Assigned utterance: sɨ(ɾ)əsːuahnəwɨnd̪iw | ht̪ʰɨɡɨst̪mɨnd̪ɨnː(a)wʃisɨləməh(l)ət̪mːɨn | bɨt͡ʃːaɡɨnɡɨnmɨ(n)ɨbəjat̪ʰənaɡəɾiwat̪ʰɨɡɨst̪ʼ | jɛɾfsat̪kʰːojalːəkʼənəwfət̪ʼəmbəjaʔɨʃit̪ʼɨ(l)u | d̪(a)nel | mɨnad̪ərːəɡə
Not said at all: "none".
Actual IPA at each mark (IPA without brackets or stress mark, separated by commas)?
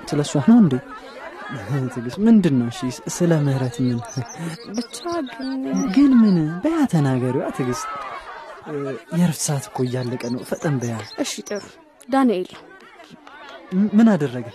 l, ə, ɾ, n, ɾ, a